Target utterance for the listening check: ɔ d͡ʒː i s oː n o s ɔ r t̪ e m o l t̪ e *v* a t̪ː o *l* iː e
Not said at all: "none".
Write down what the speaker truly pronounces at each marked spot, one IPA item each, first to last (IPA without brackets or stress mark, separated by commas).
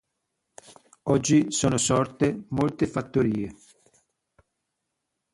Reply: f, ɾ